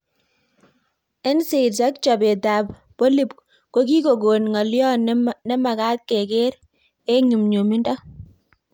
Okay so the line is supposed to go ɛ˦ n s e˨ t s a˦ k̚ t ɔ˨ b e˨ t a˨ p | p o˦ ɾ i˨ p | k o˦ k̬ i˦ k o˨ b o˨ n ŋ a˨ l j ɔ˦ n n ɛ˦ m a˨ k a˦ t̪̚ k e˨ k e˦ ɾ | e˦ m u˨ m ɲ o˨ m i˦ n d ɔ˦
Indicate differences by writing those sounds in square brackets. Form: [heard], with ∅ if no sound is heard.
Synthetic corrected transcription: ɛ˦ n s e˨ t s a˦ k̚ [t͡ʃ] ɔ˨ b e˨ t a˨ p | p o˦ [l] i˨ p | k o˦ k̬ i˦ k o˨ [ɡ] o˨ n ŋ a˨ l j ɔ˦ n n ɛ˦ m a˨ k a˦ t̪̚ k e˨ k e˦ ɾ | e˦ [ɲ] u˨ m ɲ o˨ m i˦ n d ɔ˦